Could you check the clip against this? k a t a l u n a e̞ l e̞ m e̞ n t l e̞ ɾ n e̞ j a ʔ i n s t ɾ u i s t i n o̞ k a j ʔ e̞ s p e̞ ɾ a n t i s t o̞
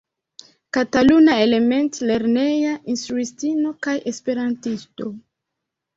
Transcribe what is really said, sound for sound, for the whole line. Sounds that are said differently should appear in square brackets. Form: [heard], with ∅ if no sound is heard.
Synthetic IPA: k a t a l u n a e̞ l e̞ m e̞ n t l e̞ ɾ n e̞ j a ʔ i n s t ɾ u i s t i n o̞ k a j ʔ e̞ s p e̞ ɾ a n t i s t o̞